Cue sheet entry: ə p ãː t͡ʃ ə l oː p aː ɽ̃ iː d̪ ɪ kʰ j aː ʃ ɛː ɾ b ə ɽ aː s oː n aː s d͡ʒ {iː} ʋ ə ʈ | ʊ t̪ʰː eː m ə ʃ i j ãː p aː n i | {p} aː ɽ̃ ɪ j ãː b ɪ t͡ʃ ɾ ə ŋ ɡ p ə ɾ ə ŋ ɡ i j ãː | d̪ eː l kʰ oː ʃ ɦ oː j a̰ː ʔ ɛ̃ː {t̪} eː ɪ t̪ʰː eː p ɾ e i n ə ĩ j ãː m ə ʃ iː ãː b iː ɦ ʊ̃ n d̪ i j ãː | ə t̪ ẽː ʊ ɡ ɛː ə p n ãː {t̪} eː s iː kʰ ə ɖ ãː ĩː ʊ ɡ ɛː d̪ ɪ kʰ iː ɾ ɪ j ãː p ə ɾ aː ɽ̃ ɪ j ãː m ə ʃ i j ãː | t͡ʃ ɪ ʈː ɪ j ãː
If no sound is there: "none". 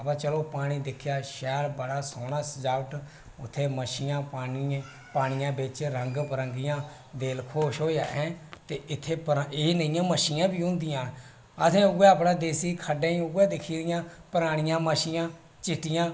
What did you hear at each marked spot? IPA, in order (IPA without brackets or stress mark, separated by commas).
aː, p, t̪, d̪